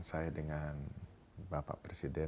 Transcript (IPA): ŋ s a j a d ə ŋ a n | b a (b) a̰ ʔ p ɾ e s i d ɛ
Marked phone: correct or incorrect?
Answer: incorrect